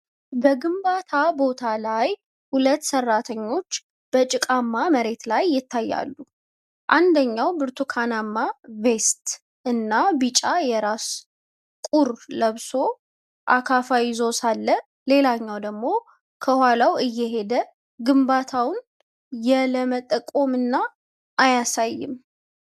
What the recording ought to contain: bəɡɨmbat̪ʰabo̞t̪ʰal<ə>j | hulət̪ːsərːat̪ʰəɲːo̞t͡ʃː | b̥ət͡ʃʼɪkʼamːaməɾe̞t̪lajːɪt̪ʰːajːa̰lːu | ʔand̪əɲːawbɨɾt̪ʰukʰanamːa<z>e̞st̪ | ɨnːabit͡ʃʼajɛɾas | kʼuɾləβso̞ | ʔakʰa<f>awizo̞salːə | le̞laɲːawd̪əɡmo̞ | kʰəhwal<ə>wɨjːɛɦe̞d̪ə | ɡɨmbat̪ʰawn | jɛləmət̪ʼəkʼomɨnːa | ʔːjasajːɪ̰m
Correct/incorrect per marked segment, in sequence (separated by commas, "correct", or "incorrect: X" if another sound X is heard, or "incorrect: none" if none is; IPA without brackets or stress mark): incorrect: a, incorrect: v, correct, incorrect: a